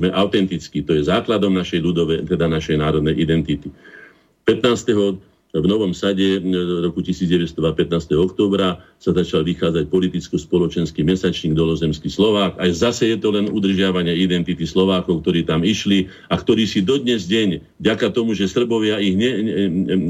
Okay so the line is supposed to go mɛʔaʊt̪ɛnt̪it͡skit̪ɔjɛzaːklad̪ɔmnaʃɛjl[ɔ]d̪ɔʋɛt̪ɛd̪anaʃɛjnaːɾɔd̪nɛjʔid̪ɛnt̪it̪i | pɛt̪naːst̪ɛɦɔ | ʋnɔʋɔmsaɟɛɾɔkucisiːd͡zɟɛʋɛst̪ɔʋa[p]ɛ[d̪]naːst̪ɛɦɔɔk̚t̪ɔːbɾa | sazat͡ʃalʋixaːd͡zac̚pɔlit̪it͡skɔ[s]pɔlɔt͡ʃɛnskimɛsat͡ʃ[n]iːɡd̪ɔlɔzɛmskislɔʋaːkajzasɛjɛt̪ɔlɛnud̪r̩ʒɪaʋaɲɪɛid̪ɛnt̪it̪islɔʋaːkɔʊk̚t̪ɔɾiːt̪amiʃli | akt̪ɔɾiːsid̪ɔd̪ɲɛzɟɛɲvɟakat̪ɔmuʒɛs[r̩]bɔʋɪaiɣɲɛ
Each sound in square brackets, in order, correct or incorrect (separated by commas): incorrect, correct, incorrect, correct, incorrect, correct